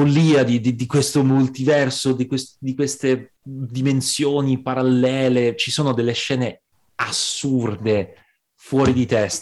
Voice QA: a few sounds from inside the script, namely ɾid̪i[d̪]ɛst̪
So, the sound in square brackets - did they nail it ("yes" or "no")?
no